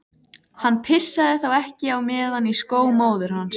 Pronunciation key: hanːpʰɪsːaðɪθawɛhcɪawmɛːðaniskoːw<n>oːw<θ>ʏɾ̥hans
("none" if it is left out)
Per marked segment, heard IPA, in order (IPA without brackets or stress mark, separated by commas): m, ð